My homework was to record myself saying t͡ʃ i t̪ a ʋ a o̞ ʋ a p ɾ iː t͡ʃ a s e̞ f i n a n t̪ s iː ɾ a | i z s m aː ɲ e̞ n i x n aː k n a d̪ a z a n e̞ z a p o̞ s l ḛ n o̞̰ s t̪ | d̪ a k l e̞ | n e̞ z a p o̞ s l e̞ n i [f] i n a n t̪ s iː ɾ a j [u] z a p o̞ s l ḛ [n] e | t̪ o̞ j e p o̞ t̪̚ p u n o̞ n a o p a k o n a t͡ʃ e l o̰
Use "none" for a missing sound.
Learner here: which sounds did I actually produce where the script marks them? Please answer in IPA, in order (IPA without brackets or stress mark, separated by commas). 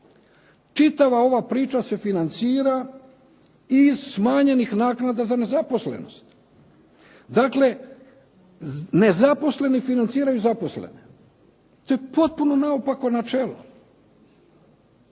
f, u, n